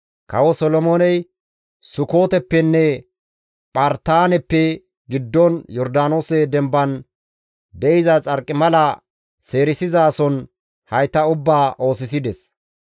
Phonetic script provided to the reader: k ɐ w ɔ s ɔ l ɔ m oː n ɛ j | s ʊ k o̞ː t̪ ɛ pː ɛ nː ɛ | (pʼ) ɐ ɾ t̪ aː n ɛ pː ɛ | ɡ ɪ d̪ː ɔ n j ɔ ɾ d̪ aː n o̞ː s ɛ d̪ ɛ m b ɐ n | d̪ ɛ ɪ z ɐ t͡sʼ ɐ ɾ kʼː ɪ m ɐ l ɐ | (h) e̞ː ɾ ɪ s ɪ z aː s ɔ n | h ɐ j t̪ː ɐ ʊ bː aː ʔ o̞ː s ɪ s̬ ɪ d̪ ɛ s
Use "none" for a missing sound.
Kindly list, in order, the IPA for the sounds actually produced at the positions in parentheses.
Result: pʼ, s

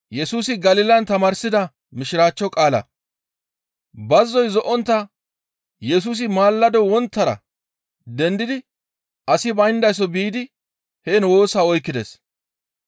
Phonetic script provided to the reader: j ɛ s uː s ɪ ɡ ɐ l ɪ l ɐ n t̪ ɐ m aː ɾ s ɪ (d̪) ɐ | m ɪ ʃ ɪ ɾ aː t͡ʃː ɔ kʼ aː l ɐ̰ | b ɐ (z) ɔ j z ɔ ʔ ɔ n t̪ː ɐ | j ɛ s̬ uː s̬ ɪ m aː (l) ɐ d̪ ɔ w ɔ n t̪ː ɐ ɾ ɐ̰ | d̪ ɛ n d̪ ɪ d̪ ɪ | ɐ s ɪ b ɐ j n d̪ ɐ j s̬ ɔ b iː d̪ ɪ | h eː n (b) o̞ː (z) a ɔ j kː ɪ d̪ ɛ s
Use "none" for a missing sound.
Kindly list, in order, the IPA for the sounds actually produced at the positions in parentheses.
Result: d̪, zː, lː, w, s

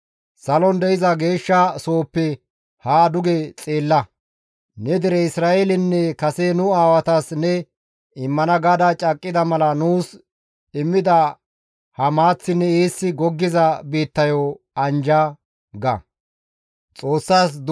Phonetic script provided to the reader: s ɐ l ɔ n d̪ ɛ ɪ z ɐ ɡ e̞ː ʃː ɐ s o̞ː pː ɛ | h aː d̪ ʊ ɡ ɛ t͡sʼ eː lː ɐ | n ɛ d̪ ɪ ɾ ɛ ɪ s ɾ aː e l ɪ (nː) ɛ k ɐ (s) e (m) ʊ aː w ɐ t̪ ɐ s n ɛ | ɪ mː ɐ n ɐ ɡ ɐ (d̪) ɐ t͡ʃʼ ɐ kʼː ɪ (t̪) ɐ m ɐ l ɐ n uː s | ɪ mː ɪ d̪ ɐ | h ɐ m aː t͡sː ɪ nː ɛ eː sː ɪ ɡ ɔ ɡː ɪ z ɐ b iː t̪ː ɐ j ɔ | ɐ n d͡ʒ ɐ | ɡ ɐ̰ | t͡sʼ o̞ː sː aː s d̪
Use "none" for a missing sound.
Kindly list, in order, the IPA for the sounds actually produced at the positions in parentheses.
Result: nː, s, n, d̪, d̪

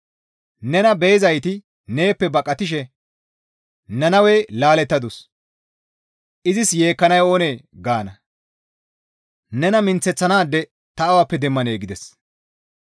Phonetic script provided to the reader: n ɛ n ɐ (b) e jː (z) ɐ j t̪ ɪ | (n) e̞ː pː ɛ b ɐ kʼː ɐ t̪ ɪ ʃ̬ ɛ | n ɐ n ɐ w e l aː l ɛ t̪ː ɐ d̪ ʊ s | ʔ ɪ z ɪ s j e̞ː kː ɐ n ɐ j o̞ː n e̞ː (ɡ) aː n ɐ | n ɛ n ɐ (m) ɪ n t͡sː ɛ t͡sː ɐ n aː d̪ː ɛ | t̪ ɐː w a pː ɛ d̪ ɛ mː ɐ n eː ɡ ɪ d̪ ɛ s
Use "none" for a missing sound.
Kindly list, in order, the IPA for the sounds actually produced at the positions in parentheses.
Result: b, z, n, ɡ, m

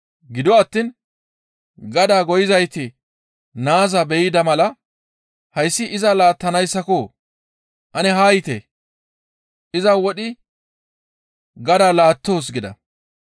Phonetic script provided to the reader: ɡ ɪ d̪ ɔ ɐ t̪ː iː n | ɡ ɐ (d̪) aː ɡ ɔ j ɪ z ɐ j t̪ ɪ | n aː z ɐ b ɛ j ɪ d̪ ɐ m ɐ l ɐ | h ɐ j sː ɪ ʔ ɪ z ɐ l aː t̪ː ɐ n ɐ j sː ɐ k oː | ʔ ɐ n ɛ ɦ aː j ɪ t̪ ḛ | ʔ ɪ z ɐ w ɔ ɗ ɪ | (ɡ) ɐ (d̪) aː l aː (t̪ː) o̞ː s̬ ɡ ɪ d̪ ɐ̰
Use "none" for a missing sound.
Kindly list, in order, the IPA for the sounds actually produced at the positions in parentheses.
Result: d̪, ɡ, d̪, t̪ː

